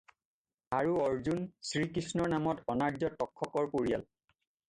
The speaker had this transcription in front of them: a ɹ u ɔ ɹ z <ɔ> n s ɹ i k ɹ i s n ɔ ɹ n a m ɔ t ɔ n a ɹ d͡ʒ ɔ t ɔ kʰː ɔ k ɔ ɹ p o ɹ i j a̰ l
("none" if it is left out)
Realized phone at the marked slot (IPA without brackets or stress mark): u